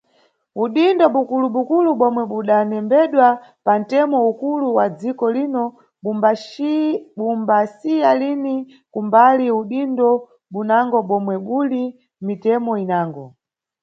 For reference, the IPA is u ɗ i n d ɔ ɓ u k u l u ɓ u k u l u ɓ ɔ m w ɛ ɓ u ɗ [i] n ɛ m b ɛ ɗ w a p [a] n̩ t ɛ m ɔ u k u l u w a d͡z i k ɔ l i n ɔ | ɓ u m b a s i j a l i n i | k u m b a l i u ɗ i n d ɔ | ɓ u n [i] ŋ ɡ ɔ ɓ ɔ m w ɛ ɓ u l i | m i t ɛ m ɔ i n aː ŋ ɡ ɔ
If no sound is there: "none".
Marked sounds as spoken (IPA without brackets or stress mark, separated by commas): a, a, a